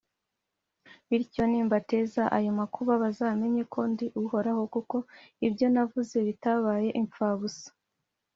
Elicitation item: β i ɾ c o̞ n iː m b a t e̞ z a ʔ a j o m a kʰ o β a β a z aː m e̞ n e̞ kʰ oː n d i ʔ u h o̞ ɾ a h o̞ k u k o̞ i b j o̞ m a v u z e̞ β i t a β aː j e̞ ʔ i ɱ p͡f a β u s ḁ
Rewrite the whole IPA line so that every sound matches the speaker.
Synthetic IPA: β i ɾ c o̞ n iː m b a t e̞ z a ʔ a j o m a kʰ u β a β a z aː m e̞ ɲ e̞ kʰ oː n d i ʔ u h o̞ ɾ a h o̞ k u k o̞ i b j o̞ n a v u z e̞ β i t a β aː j e̞ ʔ i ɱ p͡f a β u s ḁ